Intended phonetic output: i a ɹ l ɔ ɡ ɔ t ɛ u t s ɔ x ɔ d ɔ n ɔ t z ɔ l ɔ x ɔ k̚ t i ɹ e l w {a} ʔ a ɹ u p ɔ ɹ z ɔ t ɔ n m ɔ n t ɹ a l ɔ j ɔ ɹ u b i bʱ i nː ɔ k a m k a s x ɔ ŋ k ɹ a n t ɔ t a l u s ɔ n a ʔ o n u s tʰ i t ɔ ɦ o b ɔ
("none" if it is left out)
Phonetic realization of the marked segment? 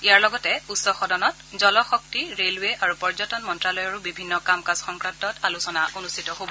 e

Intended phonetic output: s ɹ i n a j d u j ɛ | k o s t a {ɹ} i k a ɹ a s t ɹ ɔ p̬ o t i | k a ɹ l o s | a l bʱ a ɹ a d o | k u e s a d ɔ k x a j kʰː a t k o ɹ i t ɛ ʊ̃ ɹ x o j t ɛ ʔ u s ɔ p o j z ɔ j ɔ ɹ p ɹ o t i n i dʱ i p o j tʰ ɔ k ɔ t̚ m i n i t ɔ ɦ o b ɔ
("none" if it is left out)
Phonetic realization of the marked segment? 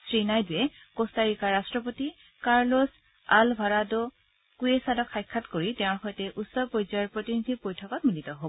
ɹ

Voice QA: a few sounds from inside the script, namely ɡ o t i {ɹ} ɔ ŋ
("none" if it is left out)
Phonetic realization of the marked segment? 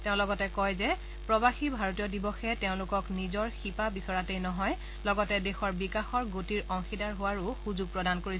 ɹ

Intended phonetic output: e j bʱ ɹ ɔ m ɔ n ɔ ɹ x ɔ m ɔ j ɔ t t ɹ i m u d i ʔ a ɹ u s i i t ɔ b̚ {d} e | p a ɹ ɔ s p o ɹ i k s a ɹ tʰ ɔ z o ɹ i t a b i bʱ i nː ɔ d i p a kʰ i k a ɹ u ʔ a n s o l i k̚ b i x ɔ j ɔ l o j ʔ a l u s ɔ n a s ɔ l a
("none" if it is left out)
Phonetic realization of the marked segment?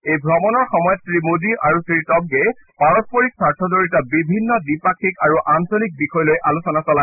ɡ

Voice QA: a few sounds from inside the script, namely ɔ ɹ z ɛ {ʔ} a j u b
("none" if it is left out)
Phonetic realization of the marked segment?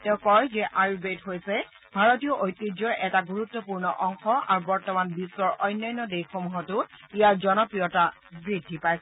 ʔ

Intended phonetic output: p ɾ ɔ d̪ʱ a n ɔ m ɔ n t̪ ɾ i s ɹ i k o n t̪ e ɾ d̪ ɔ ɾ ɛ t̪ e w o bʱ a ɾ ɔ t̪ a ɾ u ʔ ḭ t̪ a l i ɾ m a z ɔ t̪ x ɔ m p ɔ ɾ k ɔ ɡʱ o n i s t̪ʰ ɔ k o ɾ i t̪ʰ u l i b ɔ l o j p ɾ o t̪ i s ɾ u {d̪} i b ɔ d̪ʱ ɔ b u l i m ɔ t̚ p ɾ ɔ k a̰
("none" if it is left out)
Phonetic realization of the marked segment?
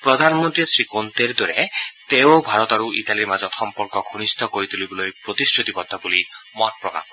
t̪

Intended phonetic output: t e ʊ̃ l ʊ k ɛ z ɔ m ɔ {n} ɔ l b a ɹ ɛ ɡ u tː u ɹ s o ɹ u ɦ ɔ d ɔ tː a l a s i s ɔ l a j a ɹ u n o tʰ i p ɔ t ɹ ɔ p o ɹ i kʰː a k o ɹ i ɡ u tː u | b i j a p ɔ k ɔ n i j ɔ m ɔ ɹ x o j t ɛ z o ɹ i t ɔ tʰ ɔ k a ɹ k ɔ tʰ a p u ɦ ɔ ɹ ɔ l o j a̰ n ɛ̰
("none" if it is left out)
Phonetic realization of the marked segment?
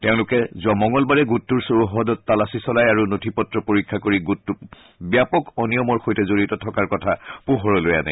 ŋ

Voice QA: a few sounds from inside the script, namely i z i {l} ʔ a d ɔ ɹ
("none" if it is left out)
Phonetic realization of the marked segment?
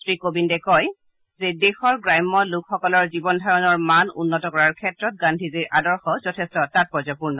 ɹ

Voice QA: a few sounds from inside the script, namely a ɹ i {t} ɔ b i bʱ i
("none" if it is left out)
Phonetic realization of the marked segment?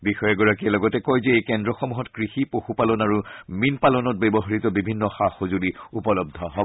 t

